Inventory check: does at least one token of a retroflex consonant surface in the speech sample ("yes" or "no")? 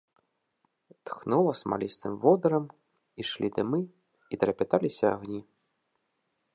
yes